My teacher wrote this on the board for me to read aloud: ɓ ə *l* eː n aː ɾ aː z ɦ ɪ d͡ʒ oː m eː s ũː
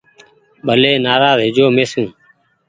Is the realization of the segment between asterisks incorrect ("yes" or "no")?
no